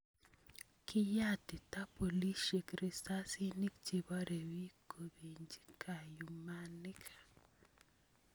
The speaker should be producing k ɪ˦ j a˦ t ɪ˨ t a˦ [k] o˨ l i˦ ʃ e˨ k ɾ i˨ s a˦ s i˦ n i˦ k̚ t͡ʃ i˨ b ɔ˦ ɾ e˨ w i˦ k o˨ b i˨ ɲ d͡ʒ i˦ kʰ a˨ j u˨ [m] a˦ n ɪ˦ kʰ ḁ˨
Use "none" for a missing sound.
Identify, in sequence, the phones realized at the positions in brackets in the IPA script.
p, m

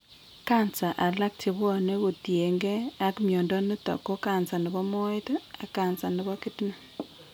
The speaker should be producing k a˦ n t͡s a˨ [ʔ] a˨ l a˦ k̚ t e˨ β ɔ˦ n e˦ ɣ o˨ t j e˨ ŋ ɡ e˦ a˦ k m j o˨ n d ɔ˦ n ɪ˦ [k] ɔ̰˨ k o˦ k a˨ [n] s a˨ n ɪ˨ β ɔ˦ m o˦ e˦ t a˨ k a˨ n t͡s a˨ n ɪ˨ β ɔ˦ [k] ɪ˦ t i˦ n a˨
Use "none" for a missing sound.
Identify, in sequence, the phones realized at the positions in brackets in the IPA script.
ʔ, t, n, k

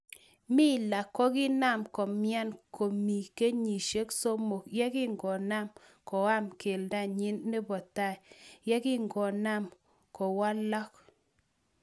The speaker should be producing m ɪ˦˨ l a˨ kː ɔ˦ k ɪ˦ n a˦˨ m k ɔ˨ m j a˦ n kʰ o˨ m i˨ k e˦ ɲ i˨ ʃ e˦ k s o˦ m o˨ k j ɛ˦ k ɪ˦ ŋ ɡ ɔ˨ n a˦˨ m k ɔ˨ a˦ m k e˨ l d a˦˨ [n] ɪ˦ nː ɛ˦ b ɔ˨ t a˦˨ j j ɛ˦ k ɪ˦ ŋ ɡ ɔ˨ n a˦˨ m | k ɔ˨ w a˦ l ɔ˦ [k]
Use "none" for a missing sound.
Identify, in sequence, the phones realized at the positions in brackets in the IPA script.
ɲ, k

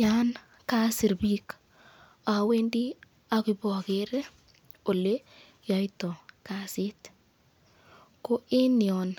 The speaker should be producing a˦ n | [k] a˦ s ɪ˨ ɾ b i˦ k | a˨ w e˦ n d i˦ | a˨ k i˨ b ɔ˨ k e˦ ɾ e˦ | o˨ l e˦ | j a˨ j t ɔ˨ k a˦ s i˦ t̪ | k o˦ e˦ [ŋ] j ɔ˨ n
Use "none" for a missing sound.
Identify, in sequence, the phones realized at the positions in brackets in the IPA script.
k, n

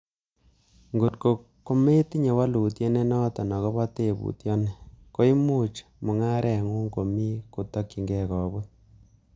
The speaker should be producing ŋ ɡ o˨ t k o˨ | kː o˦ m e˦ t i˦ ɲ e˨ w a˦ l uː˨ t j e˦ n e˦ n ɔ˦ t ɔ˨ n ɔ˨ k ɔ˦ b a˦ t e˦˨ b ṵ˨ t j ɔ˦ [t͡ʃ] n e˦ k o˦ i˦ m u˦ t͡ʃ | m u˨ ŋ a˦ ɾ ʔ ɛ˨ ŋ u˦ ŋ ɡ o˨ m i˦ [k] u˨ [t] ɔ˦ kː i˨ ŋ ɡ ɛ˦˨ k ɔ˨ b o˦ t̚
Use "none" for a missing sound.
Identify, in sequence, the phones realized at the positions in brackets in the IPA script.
none, k, t

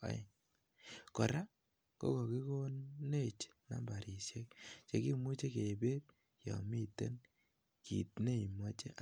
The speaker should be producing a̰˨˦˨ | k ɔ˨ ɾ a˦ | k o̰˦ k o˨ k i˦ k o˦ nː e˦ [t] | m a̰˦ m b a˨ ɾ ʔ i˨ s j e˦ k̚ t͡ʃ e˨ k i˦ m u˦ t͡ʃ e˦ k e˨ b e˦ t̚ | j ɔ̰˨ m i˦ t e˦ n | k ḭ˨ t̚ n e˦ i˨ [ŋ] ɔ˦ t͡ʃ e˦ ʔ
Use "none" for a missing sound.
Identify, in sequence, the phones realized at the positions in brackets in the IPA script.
t͡ʃ, m

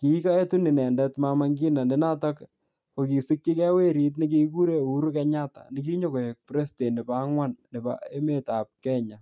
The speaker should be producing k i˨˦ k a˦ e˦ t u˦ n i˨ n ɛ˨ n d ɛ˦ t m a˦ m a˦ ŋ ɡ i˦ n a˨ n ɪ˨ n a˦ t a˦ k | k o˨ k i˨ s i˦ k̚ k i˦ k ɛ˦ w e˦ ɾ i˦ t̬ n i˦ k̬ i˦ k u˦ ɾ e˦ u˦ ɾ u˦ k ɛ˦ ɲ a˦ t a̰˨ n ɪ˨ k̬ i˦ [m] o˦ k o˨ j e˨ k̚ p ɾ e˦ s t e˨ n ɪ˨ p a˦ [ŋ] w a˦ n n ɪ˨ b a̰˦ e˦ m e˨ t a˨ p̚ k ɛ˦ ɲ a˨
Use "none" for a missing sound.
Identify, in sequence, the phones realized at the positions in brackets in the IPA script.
ɲ, ŋ

